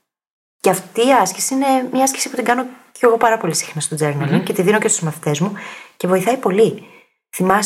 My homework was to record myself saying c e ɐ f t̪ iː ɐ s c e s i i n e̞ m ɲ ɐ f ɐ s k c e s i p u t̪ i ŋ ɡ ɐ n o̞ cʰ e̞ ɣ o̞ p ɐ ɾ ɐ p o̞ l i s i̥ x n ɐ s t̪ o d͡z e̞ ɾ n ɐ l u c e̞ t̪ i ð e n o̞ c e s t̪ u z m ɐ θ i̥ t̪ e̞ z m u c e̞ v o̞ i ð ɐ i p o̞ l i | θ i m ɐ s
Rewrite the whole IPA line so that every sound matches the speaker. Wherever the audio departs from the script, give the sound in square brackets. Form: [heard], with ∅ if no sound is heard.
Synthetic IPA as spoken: c e ɐ f t̪ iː ɐ s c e s i i n e̞ m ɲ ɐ [∅] ɐ s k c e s i p u t̪ i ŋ ɡ ɐ n o̞ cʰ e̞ ɣ o̞ p ɐ ɾ ɐ p o̞ l i s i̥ x n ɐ s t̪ o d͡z e̞ ɾ n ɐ l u c e̞ t̪ i ð [i] n o̞ c e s t̪ u z m ɐ θ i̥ t̪ e̞ z m u c e̞ v o̞ i [θ] ɐ i p o̞ l i | θ i m ɐ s